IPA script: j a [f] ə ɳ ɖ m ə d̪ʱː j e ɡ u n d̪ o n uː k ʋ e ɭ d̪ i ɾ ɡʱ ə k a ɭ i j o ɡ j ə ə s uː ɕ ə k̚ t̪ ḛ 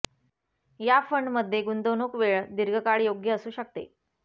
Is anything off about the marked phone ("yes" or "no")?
no